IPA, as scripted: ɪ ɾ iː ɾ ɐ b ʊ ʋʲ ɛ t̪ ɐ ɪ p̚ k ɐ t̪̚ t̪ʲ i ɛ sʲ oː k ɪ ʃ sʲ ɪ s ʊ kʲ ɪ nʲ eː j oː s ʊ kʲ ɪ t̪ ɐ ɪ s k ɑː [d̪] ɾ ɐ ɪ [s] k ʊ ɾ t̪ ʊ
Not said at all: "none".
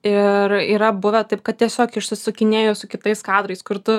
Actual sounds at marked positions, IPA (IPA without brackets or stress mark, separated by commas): d̪, s